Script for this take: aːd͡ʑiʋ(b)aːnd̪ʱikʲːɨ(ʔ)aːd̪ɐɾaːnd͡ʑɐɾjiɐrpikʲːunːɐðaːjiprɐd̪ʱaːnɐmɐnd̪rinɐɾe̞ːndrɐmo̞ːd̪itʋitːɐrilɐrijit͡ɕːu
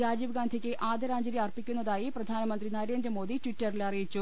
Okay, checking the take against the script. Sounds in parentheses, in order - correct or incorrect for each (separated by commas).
incorrect, correct